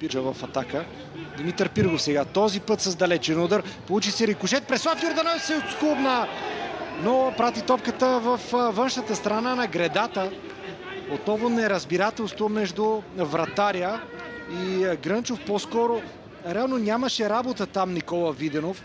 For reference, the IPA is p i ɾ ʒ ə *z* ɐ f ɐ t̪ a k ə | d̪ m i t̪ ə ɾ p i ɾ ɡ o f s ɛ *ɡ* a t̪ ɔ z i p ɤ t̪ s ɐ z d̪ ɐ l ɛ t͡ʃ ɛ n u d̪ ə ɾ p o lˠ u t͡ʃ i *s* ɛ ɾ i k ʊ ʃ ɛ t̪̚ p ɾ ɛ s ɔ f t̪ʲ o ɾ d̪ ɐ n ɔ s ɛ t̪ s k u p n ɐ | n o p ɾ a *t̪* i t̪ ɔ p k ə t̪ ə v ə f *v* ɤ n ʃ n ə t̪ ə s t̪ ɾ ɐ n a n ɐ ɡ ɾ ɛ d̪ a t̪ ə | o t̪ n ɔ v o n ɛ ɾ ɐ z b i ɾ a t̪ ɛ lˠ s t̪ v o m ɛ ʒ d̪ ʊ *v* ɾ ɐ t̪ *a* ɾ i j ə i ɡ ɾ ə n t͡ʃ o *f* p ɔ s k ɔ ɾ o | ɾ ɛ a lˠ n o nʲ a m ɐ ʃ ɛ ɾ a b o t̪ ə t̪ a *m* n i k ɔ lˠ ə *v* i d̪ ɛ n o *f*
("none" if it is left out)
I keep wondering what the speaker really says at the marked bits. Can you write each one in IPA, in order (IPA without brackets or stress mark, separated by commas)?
v, ɡ, s, t̪, v, v, a, f, m, v, f